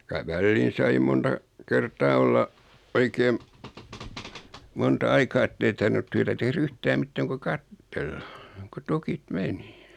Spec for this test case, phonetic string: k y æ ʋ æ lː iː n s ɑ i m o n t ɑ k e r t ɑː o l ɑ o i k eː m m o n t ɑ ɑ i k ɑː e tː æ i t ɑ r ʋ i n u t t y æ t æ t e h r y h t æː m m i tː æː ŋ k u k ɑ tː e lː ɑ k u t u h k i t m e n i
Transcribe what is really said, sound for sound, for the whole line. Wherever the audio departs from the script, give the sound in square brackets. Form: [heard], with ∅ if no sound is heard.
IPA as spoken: k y æ ʋ æ lː iː n s ɑ i m o n t ɑ k e r t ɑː o [lː] ɑ o i k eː m m o n t ɑ ɑ i k ɑː e tː [e] i t ɑ r ʋ i n u t t y æ t æ t e h r y h t æː m m i tː æː ŋ k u k ɑ tː e lː ɑ k u t u [∅] k i t m e n i